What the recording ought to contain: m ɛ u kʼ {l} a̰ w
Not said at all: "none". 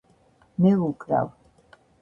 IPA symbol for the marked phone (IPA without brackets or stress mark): ɾ